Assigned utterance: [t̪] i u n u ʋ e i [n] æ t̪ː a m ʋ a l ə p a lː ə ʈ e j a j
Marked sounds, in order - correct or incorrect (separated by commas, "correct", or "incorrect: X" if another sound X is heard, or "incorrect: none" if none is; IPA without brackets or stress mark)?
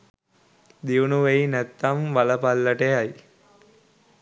incorrect: d̪, correct